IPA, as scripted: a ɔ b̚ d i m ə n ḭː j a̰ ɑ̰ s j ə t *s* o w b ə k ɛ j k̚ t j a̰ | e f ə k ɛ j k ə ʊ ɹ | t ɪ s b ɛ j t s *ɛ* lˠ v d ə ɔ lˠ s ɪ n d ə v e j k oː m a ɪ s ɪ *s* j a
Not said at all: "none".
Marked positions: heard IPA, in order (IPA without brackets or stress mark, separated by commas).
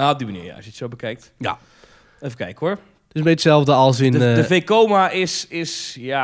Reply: s, ɛ, s